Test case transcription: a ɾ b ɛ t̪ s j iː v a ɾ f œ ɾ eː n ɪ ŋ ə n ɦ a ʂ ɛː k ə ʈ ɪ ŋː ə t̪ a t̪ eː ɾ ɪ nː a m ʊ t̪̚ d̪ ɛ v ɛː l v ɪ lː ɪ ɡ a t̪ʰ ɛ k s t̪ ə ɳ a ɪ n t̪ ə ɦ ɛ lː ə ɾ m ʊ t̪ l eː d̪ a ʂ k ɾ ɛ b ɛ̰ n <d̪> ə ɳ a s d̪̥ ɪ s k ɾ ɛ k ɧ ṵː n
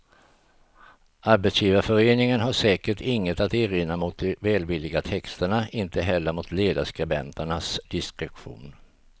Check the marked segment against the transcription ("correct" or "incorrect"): incorrect